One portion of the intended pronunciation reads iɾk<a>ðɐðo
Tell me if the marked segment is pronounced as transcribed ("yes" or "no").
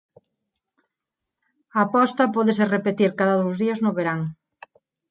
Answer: yes